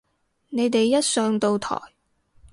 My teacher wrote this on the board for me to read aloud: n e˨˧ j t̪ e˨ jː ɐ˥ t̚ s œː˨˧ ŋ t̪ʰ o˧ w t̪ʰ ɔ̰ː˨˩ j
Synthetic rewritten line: n e˨˧ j t̪ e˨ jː ɐ˥ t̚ s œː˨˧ ŋ t̪ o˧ w t̪ʰ ɔ̰ː˨˩ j